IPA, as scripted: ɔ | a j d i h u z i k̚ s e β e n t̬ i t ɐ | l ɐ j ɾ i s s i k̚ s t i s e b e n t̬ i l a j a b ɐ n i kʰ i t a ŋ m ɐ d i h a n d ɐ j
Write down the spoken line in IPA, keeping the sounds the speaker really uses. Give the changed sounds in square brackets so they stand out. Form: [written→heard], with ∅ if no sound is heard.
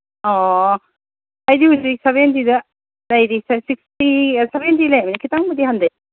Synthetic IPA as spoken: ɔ | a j d i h u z i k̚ s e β e n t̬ i [t→d] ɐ | l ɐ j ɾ i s s i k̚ s t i s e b e n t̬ i l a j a [b→m] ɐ n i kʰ i t a ŋ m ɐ d i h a n d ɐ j